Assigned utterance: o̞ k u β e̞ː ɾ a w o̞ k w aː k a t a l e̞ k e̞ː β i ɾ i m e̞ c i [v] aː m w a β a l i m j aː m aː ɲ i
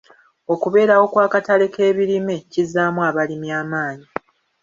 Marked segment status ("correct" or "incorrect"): incorrect